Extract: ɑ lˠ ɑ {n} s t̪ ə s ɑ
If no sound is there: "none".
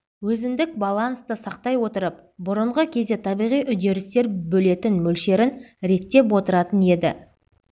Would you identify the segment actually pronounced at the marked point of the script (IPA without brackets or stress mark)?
n